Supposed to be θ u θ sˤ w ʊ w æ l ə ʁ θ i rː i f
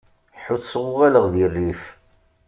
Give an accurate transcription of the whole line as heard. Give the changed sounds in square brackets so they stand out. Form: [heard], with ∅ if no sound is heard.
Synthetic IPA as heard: [ħ] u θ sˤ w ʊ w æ l ə ʁ [ð] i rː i f